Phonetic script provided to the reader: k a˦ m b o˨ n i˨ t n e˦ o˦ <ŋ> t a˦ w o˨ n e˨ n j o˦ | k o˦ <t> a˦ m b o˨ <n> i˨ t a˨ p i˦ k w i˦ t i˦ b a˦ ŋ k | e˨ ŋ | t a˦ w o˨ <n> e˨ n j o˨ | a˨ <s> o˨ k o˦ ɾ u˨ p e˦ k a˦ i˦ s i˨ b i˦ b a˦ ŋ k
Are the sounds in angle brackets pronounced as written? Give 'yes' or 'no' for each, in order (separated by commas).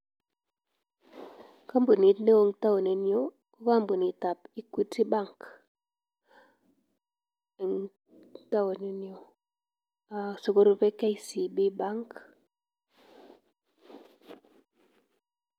yes, no, yes, yes, yes